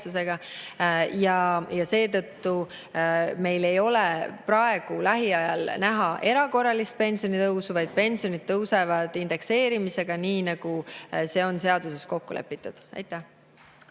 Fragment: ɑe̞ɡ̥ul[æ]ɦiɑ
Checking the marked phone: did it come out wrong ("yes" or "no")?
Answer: no